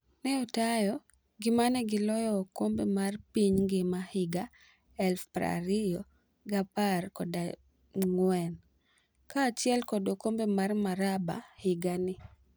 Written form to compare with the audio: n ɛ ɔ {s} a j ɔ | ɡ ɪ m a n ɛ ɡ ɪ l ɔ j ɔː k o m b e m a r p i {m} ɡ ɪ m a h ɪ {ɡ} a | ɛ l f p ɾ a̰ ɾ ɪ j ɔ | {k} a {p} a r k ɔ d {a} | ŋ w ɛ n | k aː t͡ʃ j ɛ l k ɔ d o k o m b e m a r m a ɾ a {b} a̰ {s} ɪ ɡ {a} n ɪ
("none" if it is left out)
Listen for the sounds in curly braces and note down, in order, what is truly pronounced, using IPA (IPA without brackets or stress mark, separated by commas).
t, ɲ, ɡ, ɡ, p, a, b, h, a